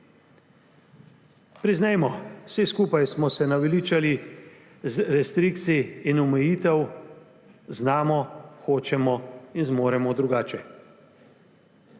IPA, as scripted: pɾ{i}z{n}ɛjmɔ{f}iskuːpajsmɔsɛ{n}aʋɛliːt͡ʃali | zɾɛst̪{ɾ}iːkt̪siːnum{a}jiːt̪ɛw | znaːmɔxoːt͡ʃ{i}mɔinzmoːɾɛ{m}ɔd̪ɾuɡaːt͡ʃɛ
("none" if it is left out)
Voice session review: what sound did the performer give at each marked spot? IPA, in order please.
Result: i, n, s, n, ɾ, ɛ, ɛ, m

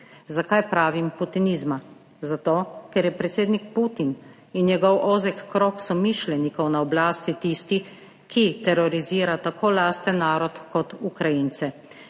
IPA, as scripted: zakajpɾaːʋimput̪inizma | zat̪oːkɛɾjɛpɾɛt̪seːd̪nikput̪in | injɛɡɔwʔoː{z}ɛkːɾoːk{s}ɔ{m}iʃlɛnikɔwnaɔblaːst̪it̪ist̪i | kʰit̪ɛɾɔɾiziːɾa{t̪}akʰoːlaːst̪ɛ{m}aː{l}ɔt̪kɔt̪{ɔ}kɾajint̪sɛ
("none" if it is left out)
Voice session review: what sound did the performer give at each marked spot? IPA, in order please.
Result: z, s, m, t̪, n, ɾ, u

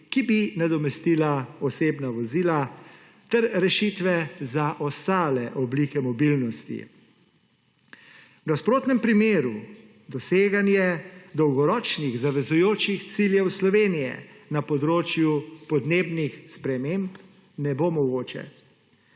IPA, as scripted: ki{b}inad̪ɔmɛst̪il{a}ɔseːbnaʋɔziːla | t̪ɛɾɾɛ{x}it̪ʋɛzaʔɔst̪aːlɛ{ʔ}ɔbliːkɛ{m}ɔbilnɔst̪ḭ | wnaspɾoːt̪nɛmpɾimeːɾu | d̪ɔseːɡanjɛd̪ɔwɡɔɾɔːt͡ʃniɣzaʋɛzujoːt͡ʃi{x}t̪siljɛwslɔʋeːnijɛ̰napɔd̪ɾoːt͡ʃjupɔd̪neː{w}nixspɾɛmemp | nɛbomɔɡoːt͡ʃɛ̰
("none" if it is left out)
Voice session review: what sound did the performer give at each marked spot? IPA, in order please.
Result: b, a, ʃ, ʔ, m, x, b

